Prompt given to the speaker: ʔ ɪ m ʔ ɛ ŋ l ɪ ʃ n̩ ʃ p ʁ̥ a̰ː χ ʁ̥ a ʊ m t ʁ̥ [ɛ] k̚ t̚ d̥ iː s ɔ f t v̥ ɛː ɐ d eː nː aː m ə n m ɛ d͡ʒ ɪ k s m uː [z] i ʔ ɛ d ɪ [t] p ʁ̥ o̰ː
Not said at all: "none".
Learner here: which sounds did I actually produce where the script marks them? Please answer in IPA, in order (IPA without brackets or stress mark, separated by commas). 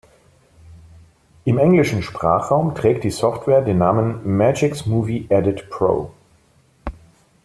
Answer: ɛː, v, t